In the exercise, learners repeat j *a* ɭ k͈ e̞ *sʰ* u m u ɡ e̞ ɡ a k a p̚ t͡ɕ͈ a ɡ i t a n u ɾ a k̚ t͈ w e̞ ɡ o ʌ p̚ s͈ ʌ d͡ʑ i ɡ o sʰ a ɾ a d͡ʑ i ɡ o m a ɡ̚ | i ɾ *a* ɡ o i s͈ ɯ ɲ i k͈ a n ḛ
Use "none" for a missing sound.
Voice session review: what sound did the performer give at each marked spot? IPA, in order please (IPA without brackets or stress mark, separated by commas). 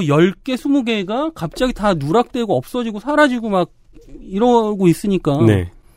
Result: ʌ, sʰ, ʌ